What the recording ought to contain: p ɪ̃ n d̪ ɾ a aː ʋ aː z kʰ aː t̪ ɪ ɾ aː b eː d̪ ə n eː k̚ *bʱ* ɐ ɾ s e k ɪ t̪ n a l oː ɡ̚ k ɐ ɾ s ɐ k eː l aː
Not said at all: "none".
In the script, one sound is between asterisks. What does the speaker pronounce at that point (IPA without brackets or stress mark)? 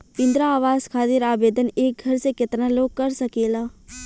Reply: ɡʱ